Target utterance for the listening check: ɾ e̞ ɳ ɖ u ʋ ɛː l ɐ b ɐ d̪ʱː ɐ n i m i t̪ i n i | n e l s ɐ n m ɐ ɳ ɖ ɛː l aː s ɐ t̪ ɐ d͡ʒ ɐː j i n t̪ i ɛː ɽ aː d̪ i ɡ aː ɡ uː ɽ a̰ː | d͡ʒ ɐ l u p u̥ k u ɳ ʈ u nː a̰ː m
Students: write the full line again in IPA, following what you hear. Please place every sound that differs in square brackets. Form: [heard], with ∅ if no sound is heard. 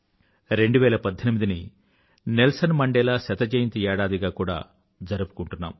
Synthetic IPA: ɾ e̞ ɳ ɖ u ʋ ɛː l ɐ [p] ɐ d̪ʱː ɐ n i m i [d̪] i n i | n e l s ɐ n m ɐ ɳ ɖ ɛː l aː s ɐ t̪ ɐ d͡ʒ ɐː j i n t̪ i ɛː ɽ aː d̪ i ɡ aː [k] uː ɽ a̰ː | d͡ʒ ɐ [ɾ] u p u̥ k u ɳ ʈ u nː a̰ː m